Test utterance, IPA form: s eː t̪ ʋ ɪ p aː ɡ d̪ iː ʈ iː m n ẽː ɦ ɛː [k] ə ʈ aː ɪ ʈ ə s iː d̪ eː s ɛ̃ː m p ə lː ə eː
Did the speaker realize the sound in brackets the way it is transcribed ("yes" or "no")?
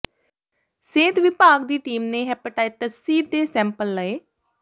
no